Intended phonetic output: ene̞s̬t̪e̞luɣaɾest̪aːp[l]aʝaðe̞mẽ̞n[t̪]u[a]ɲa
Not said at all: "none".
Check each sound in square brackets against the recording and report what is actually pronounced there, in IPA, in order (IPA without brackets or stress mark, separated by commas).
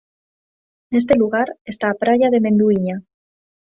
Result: ɾ, d̪, i